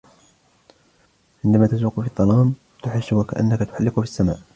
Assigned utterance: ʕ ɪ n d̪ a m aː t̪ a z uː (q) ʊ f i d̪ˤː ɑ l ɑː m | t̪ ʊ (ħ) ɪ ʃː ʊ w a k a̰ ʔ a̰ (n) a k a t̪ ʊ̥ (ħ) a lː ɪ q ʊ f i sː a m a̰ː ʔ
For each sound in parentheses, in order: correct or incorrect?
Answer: correct, correct, incorrect, correct

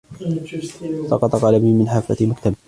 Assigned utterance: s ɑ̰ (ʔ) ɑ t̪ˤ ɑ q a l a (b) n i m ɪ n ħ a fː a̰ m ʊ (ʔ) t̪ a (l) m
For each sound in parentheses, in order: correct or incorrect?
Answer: incorrect, correct, incorrect, incorrect

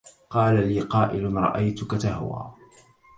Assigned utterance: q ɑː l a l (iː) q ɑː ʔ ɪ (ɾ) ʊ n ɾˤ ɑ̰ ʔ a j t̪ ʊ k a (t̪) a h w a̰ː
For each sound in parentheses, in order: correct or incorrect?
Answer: correct, incorrect, correct

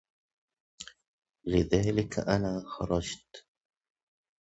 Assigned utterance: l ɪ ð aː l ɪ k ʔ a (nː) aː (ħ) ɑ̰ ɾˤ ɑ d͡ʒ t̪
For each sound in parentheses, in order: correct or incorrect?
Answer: incorrect, incorrect

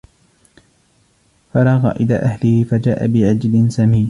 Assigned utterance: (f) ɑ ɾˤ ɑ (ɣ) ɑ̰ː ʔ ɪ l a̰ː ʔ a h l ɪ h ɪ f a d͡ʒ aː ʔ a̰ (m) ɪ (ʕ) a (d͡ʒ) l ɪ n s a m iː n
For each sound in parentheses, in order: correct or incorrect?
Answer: correct, correct, incorrect, correct, correct

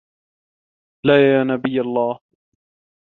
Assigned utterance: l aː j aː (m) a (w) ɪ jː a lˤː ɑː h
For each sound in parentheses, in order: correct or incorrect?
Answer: incorrect, incorrect

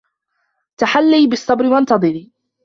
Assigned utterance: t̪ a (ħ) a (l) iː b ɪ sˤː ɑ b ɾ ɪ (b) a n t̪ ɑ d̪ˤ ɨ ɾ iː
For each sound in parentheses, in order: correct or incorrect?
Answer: correct, incorrect, incorrect

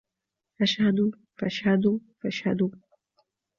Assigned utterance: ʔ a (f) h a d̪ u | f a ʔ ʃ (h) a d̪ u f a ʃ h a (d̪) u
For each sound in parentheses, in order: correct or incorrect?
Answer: incorrect, correct, correct

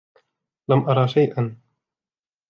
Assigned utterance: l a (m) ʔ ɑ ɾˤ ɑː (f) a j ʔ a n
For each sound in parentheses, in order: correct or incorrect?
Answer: correct, incorrect

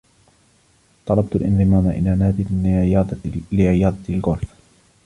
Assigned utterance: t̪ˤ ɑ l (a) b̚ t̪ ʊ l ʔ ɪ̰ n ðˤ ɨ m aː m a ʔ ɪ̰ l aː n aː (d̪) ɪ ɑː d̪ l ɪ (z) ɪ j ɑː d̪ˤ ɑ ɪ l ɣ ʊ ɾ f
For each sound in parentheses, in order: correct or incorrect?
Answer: incorrect, correct, incorrect

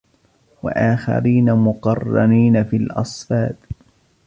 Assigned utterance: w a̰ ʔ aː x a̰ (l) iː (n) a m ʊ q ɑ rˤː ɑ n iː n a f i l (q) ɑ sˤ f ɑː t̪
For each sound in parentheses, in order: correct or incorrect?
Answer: incorrect, correct, incorrect

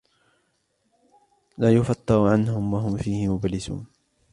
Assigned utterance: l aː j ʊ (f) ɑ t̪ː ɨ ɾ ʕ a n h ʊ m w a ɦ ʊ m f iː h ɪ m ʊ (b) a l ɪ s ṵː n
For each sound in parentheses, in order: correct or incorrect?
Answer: correct, correct

